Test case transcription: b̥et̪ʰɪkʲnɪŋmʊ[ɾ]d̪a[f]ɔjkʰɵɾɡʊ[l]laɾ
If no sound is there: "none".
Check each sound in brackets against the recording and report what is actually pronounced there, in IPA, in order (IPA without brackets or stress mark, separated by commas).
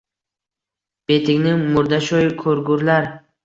ɾ, ʃ, ɾ